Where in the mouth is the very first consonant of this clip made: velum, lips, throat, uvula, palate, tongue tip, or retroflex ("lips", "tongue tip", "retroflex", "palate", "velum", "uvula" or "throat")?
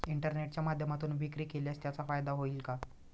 retroflex